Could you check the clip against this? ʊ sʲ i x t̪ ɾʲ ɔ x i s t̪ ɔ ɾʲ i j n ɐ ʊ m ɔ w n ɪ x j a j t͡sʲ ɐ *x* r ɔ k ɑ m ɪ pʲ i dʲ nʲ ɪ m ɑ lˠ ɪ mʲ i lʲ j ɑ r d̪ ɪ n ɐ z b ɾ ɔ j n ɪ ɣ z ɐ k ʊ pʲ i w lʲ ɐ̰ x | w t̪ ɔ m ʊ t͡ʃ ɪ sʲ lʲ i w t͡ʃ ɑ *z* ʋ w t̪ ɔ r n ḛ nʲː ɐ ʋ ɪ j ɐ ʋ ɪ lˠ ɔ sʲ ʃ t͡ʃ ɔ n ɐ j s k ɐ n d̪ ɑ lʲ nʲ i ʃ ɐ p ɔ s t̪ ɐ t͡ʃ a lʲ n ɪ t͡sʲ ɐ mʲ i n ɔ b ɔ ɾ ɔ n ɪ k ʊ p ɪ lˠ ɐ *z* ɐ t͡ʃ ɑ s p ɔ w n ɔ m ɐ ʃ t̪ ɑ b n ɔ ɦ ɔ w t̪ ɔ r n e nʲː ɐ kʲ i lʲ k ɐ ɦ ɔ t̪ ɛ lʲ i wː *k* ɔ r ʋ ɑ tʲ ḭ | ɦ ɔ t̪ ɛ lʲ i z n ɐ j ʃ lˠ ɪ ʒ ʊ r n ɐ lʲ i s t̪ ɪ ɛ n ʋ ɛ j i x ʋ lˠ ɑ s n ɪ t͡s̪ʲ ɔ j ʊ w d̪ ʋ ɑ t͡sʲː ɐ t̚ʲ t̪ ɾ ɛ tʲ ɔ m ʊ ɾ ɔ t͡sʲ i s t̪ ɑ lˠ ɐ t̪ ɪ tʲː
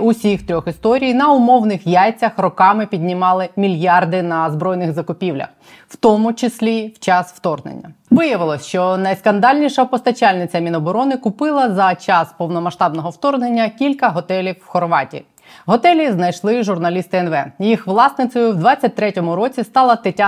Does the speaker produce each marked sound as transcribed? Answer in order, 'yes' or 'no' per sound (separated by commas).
yes, no, yes, no